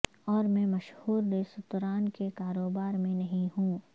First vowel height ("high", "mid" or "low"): mid